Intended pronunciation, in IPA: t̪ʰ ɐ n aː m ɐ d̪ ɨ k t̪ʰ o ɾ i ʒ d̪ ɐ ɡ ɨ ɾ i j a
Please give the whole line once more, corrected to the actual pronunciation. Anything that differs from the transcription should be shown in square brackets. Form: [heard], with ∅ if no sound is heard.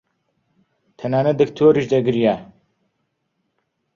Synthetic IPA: t̪ʰ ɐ n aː [n] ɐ d̪ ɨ k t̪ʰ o ɾ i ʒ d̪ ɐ ɡ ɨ ɾ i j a